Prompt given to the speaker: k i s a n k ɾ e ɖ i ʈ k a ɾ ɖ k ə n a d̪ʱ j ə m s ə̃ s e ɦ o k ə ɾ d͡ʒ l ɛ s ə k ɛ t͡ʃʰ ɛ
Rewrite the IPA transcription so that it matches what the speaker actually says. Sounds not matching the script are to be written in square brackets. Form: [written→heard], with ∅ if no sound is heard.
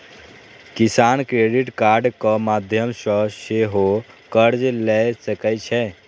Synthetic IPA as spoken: k i s a n k ɾ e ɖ i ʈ k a ɾ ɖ k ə [n→m] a d̪ʱ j ə m s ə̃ s e ɦ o k ə ɾ d͡ʒ l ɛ s ə k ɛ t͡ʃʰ ɛ